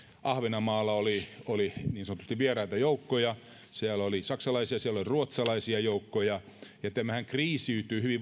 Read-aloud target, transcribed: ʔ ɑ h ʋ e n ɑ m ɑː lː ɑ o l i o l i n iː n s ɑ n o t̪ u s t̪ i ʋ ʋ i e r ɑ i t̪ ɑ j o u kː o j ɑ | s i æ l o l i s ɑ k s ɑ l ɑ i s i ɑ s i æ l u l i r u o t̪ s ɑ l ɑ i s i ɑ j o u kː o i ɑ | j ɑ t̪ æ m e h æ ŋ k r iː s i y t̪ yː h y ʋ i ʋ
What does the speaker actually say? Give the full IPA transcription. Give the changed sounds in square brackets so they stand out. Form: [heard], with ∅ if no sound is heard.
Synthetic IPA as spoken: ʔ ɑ h ʋ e n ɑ m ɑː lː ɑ o l i o l i n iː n s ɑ n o t̪ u s t̪ i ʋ ʋ i e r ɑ i t̪ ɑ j o u kː o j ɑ | s i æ l o l i s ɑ k s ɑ l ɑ i s i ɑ s i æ l [o] l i r u o t̪ s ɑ l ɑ i s i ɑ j o u kː o [j] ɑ | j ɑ t̪ æ m [æ] h æ ŋ k r iː s i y t̪ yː h y ʋ i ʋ